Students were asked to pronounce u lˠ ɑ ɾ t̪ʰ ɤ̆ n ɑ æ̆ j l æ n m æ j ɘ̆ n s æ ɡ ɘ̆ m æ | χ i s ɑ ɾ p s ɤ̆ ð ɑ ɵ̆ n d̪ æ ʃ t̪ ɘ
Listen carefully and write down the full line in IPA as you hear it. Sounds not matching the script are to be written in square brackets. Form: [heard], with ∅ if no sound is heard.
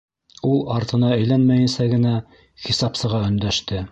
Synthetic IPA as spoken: u lˠ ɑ ɾ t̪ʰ ɤ̆ n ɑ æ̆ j l æ n m æ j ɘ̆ n s æ ɡ ɘ̆ [n] æ | χ i s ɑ [∅] p s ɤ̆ [ʁ] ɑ ɵ̆ n d̪ æ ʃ t̪ ɘ